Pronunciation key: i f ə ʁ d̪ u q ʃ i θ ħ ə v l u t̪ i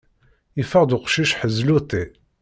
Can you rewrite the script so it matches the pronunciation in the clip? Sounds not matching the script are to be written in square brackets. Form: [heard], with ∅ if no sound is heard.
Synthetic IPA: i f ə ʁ d̪ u q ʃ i [ʃ] ħ ə [z] l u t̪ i